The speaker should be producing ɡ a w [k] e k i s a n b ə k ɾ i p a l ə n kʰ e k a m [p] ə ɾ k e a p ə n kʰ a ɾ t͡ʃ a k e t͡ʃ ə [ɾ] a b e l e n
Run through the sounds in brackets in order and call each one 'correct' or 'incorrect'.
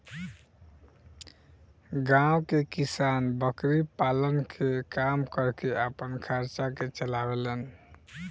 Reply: correct, incorrect, incorrect

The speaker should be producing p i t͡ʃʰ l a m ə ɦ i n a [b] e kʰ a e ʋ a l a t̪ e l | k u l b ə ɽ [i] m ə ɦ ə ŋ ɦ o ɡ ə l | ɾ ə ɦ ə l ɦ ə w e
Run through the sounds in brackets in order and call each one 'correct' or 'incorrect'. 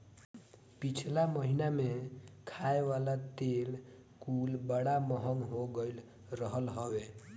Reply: incorrect, incorrect

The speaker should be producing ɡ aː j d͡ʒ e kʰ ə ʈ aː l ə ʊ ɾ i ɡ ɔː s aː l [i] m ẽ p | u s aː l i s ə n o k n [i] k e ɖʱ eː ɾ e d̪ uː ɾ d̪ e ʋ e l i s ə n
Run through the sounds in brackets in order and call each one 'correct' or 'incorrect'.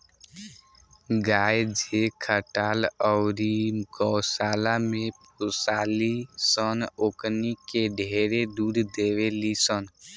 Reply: incorrect, correct

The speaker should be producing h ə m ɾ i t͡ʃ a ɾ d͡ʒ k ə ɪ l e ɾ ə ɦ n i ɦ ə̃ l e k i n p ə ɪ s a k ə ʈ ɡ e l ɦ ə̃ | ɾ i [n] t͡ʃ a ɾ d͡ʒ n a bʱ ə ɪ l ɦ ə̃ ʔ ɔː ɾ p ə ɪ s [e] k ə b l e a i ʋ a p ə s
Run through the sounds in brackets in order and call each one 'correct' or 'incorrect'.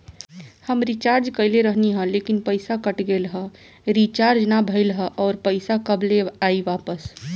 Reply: incorrect, incorrect

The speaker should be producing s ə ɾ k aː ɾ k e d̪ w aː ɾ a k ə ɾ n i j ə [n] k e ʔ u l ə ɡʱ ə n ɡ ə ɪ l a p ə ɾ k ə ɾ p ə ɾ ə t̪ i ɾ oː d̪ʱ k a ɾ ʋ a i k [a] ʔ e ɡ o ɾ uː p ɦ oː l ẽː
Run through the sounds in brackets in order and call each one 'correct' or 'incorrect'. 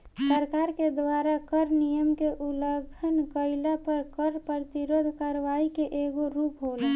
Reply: incorrect, incorrect

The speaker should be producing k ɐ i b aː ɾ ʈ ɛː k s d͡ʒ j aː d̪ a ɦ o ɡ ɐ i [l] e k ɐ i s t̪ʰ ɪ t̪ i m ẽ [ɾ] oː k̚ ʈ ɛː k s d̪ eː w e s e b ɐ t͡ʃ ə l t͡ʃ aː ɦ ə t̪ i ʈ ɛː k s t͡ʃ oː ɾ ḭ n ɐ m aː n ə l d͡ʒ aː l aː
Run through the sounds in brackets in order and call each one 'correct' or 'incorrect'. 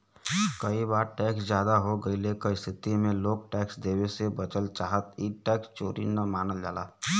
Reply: correct, incorrect

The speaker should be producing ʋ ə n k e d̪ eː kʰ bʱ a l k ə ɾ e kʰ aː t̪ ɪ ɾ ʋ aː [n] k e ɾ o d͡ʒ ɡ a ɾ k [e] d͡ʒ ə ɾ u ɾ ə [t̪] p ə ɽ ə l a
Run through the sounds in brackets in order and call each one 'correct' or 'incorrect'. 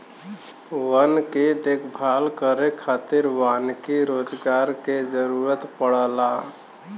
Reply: correct, correct, correct

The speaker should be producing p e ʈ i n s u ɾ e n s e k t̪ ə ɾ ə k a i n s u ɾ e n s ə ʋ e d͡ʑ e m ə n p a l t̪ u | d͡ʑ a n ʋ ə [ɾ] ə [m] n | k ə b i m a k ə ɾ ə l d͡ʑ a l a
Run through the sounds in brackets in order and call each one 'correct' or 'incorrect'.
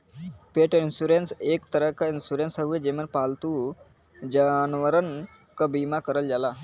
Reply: correct, incorrect

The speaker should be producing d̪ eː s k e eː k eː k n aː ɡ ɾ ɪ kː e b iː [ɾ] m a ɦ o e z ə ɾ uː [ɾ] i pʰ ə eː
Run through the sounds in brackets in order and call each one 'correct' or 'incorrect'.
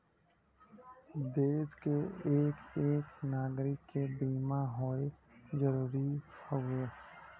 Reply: incorrect, correct

